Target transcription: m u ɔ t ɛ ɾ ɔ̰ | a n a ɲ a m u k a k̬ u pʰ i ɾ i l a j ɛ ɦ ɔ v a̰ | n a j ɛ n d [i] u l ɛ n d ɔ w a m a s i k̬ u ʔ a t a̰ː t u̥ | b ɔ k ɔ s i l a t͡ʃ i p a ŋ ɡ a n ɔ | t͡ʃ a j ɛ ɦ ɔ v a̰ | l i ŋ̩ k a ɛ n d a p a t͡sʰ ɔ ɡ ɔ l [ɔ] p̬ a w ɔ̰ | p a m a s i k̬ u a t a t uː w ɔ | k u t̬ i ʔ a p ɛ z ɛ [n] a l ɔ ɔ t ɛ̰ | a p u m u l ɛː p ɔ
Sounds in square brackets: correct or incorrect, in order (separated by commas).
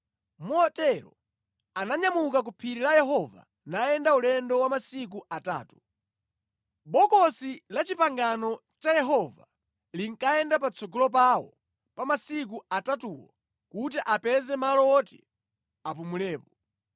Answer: incorrect, correct, incorrect